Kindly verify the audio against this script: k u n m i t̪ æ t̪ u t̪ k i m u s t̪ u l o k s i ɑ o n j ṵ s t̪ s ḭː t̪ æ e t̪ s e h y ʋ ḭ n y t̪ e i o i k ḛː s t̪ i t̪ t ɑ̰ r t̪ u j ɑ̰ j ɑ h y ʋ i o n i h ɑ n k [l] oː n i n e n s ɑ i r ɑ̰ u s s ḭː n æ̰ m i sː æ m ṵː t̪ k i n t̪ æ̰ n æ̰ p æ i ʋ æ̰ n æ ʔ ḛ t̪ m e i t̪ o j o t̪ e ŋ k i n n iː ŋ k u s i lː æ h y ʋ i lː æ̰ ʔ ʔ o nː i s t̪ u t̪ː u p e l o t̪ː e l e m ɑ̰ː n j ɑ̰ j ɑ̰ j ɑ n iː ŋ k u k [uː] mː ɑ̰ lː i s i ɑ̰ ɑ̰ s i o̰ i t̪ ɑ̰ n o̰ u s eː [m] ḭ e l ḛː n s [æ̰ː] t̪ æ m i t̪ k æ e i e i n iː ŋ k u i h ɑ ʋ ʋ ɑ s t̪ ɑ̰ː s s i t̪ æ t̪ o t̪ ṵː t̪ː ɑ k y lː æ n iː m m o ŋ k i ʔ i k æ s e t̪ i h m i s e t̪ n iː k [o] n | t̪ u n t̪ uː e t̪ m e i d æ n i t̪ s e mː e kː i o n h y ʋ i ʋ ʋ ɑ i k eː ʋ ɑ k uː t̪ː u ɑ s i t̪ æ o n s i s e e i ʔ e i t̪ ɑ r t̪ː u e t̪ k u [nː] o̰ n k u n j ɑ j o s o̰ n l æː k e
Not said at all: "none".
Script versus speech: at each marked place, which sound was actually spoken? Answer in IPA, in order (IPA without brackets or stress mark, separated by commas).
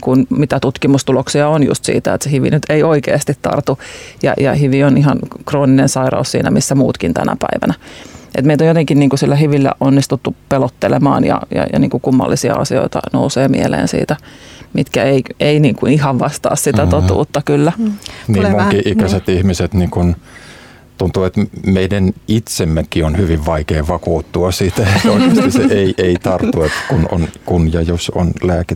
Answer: r, u, m, ḭː, u, n